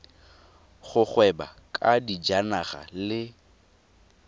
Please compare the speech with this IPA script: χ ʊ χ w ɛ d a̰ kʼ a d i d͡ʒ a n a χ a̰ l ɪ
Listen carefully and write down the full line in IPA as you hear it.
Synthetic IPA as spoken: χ ʊ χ w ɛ b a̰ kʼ a d i d͡ʒ a n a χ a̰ l ɪ